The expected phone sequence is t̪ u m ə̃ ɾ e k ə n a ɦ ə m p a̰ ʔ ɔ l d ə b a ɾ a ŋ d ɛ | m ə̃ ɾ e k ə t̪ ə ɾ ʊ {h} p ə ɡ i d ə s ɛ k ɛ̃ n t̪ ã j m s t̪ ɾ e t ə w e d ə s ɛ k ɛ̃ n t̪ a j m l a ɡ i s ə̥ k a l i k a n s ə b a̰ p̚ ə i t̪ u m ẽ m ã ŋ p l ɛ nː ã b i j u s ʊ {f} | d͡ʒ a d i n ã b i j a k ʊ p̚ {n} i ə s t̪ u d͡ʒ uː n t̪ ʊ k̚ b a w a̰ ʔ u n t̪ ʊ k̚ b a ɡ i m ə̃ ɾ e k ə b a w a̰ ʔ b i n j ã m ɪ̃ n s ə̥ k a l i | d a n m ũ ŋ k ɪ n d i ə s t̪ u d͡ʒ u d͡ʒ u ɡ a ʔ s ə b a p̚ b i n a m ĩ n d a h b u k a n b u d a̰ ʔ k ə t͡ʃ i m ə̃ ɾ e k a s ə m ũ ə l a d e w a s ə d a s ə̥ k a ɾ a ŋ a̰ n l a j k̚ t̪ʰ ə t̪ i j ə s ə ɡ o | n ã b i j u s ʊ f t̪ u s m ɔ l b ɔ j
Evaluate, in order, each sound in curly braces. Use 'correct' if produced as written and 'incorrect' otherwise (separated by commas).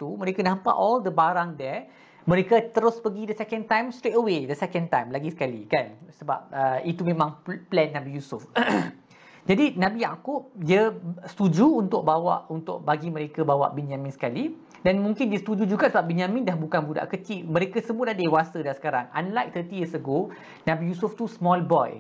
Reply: incorrect, correct, incorrect